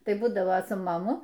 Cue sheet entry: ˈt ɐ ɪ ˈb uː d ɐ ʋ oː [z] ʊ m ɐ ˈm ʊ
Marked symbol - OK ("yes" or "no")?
no